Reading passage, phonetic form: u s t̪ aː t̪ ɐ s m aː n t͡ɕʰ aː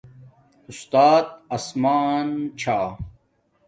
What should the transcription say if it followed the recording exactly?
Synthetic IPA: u s t̪ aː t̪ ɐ s m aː n t͡ɕʰ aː